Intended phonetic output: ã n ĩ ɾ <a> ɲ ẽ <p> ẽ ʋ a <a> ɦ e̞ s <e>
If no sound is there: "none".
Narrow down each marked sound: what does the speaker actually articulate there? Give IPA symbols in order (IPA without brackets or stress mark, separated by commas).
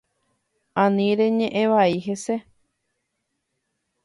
e, ʔ, i, e